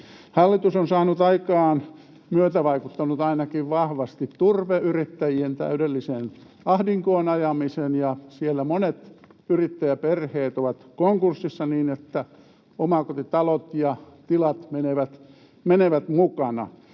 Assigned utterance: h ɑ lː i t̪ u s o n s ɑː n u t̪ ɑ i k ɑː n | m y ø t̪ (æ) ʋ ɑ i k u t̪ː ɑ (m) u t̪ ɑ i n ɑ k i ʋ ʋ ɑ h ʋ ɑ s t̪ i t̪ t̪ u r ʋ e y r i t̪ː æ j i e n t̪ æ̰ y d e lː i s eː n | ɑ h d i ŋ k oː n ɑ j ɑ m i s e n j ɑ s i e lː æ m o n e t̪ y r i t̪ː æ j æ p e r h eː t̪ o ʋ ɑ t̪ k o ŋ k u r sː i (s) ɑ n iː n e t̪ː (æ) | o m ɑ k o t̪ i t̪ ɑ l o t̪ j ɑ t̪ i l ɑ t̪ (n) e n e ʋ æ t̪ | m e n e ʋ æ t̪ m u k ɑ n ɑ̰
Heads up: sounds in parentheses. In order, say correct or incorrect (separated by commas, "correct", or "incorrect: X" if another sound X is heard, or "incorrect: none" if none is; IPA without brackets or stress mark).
correct, incorrect: n, incorrect: sː, correct, incorrect: m